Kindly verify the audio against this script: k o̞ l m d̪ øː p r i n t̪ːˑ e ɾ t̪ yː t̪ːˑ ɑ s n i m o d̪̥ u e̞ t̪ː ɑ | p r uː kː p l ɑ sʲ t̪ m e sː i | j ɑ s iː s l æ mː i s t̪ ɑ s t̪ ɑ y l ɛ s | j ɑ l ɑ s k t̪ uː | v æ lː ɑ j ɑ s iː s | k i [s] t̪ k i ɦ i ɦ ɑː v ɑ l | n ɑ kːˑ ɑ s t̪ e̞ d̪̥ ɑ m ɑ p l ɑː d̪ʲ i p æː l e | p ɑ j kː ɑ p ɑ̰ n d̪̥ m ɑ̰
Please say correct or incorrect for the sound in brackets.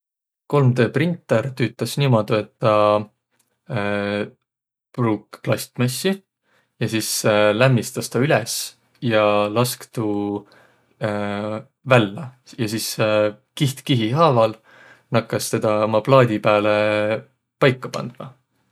incorrect